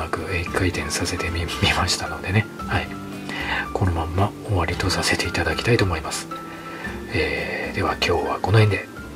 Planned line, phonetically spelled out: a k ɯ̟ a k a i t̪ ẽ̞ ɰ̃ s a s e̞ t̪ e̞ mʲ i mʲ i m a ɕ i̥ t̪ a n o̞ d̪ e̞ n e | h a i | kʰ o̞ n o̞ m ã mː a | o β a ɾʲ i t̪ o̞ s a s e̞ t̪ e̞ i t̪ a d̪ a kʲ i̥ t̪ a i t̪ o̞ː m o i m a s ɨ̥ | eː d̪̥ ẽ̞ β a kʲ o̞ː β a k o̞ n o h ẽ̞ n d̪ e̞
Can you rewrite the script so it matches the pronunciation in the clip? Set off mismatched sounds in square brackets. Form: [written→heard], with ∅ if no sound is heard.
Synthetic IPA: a k ɯ̟ [a→e] k a i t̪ ẽ̞ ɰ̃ s a s e̞ t̪ e̞ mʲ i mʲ i m a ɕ i̥ t̪ a n o̞ d̪ e̞ n e | h a i | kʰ o̞ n o̞ m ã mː a | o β a ɾʲ i t̪ o̞ s a s e̞ t̪ e̞ i t̪ a d̪ a kʲ i̥ t̪ a i t̪ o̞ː m o i m a s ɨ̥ | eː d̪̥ [ẽ̞→e̞] β a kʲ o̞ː β a k o̞ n o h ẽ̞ n d̪ e̞